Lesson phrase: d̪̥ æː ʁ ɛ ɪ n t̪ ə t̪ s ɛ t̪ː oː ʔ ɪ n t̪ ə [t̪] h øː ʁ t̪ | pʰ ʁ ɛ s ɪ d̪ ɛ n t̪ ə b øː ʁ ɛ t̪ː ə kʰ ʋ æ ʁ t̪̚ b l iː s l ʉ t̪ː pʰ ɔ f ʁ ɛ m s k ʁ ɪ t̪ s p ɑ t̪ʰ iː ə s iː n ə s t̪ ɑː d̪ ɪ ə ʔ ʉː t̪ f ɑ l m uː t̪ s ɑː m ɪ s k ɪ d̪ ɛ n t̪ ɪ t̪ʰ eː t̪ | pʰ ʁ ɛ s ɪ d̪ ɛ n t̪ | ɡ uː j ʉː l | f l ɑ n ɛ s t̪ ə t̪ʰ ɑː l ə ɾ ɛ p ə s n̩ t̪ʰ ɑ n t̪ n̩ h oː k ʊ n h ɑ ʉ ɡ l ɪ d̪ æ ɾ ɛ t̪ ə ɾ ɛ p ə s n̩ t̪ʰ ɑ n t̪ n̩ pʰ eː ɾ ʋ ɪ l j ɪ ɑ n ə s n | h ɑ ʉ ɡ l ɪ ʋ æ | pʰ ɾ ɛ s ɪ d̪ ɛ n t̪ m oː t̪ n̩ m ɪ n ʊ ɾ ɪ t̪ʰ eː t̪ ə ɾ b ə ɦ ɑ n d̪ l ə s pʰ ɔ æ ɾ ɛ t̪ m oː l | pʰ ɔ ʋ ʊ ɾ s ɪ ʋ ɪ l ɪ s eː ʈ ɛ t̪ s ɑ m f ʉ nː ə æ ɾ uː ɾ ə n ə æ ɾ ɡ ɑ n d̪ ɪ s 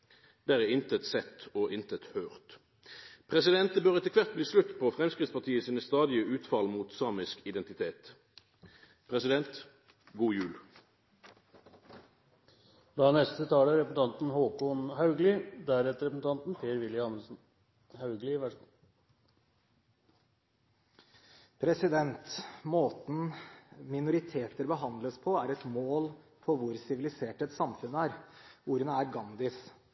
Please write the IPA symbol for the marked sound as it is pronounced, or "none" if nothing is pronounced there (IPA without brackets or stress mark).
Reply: t̪